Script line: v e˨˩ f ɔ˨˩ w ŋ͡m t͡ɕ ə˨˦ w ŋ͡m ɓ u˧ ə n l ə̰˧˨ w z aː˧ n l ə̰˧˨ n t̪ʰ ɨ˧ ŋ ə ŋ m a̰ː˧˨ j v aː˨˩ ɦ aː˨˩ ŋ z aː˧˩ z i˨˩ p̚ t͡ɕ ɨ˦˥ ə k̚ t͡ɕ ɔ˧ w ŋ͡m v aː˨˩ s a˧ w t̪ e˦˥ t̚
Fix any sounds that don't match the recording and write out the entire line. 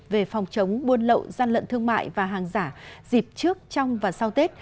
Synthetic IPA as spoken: v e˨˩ f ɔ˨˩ w ŋ͡m t͡ɕ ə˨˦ w ŋ͡m ɓ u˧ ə n l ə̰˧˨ w z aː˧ n l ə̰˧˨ n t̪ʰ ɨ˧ ə ŋ m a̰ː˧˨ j v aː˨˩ ɦ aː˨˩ ŋ z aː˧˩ z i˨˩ p̚ t͡ɕ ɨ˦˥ ə k̚ t͡ɕ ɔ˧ w ŋ͡m v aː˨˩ s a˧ w t̪ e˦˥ t̚